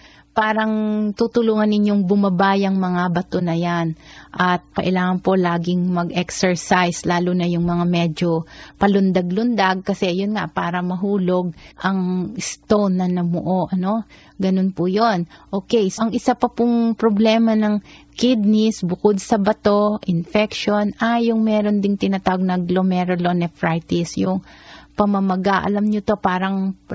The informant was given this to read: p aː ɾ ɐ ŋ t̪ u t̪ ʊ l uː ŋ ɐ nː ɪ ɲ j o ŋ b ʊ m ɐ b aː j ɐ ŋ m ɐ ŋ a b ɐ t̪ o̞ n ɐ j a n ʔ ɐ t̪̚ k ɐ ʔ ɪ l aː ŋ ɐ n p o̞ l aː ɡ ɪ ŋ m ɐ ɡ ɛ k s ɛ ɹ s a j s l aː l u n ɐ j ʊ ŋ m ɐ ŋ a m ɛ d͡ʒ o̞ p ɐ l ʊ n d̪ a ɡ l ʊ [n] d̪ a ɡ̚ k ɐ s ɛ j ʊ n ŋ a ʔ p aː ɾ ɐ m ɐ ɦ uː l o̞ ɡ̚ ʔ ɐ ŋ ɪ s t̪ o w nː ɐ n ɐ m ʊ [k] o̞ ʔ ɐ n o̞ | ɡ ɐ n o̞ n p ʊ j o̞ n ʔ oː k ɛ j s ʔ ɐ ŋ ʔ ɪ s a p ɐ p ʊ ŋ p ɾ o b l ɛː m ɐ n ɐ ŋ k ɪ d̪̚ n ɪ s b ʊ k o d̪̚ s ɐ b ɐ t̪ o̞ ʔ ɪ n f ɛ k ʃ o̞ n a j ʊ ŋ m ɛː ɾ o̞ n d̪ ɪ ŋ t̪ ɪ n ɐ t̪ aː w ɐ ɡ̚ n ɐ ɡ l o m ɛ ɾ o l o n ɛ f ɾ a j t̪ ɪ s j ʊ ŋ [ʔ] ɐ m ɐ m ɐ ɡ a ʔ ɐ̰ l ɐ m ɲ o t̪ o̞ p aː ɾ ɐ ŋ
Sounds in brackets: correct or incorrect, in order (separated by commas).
correct, incorrect, incorrect